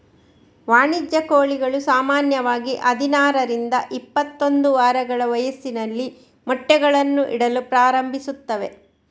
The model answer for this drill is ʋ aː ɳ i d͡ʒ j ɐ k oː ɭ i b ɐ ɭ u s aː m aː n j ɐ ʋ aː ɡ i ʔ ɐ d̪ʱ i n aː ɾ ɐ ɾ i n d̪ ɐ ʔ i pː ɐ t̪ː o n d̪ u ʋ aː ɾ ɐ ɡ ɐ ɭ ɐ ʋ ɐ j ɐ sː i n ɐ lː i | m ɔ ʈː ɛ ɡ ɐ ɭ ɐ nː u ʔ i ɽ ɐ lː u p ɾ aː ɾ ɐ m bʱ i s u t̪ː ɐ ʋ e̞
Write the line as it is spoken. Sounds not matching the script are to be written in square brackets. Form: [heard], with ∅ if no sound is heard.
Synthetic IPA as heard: ʋ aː ɳ i d͡ʒ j ɐ k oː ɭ i [ɡ] ɐ ɭ u s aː m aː n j ɐ ʋ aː ɡ i ʔ ɐ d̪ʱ i n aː ɾ ɐ ɾ i n d̪ ɐ ʔ i pː ɐ t̪ː o n d̪ u ʋ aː ɾ ɐ ɡ ɐ ɭ ɐ ʋ ɐ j ɐ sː i n ɐ lː i | m ɔ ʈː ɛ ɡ ɐ ɭ ɐ nː u ʔ i ɽ ɐ [l] u p ɾ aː ɾ ɐ m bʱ i s u t̪ː ɐ ʋ e̞

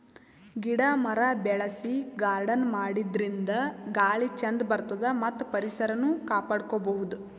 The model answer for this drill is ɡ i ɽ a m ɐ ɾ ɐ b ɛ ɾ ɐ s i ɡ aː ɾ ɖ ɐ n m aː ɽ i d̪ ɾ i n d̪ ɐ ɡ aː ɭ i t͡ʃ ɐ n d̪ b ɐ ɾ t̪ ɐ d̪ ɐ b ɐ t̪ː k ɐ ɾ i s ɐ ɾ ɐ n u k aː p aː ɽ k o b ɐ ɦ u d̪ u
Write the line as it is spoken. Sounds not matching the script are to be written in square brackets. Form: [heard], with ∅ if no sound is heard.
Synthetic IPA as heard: ɡ i ɽ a m ɐ ɾ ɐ b ɛ [ɭ] ɐ s i ɡ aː ɾ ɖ ɐ n m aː ɽ i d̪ ɾ i n d̪ ɐ ɡ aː ɭ i t͡ʃ ɐ n d̪ b ɐ ɾ t̪ ɐ d̪ ɐ [m] ɐ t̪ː [p] ɐ ɾ i s ɐ ɾ ɐ n u k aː p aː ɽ k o b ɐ ɦ u d̪ u

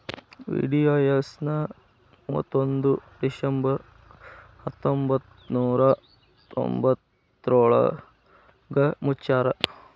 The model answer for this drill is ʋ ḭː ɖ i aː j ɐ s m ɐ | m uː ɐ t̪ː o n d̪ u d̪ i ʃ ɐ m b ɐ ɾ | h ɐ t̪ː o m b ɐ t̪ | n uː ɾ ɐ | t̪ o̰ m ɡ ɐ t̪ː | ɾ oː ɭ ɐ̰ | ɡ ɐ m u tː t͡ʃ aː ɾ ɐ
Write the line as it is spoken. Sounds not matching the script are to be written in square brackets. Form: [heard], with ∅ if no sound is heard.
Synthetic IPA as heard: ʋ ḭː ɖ i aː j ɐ s [n] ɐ | m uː ɐ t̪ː o n d̪ u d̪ i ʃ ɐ m b ɐ ɾ | h ɐ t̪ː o m b ɐ t̪ | n uː ɾ ɐ | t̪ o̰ m [b] ɐ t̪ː | ɾ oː ɭ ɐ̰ | ɡ ɐ m u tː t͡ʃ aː ɾ ɐ

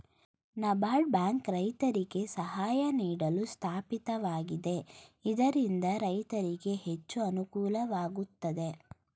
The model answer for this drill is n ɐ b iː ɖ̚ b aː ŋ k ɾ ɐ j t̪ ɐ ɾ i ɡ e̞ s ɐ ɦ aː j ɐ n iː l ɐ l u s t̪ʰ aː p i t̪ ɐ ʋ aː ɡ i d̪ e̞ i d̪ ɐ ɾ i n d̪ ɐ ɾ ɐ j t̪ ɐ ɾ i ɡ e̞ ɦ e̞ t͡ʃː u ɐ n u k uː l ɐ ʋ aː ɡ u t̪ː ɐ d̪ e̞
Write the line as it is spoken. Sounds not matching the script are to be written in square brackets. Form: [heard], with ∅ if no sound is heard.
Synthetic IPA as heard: n ɐ b [aː] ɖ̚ b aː ŋ k ɾ ɐ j t̪ ɐ ɾ i ɡ e̞ s ɐ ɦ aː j ɐ n iː [ɽ] ɐ l u s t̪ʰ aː p i t̪ ɐ ʋ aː ɡ i d̪ e̞ i d̪ ɐ ɾ i n d̪ ɐ ɾ ɐ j t̪ ɐ ɾ i ɡ e̞ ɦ e̞ t͡ʃː u ɐ n u k uː l ɐ ʋ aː ɡ u t̪ː ɐ d̪ e̞

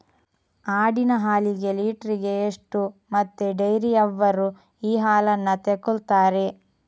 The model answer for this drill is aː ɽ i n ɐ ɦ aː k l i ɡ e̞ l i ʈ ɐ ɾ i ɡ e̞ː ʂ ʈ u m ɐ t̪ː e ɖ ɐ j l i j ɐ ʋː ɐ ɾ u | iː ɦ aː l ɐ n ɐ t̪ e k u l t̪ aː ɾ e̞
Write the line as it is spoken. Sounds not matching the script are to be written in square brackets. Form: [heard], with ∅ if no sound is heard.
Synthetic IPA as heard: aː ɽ i n ɐ ɦ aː [∅] l i ɡ e̞ l [iː] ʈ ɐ ɾ i ɡ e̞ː ʂ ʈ u m ɐ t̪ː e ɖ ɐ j [ɾ] i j ɐ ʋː ɐ ɾ u | iː ɦ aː l ɐ [nː] ɐ t̪ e k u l t̪ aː ɾ e̞

